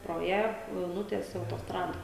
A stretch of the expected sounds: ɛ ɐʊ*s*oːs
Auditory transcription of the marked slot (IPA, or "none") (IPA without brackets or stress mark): t